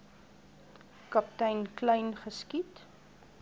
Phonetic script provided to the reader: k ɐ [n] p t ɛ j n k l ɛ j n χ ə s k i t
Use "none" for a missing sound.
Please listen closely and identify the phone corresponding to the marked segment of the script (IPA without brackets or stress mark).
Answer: none